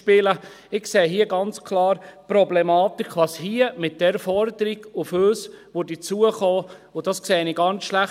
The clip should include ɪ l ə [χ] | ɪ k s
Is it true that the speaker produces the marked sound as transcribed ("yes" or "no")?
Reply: no